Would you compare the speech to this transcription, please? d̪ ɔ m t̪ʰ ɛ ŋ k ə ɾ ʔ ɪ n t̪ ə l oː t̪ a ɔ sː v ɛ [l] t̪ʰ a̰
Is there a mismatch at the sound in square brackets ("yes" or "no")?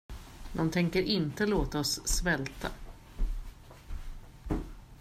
no